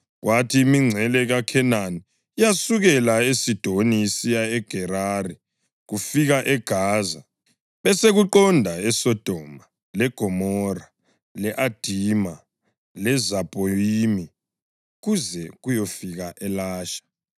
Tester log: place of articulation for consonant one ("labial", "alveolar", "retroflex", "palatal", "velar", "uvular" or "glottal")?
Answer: velar